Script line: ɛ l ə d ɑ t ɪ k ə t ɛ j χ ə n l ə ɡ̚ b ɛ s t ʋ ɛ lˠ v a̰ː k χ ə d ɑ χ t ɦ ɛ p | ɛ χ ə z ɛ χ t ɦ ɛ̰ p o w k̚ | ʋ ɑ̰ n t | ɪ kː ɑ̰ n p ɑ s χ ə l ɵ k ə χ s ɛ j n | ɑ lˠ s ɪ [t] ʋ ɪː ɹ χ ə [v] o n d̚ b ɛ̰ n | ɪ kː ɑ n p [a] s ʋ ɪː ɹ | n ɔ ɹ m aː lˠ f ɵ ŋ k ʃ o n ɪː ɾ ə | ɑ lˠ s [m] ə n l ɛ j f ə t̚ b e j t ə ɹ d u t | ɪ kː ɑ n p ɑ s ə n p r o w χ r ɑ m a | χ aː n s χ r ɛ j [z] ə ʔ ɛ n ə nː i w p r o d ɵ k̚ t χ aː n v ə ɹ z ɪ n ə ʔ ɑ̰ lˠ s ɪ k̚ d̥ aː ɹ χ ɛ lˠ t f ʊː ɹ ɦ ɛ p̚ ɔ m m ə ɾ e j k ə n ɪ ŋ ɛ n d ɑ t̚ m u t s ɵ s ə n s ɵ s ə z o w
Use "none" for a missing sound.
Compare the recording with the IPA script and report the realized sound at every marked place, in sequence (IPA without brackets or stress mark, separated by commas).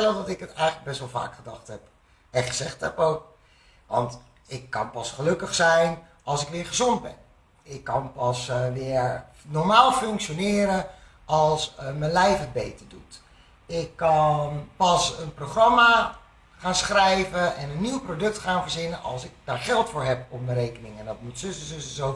k, z, ɑ, m, v